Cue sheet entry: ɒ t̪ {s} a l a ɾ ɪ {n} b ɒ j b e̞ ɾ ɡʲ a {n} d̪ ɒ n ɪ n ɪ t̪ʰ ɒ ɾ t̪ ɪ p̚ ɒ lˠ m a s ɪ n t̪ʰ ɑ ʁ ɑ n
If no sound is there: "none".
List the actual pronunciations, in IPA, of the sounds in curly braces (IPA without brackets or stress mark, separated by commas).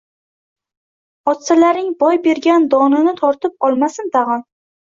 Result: s, ŋ, n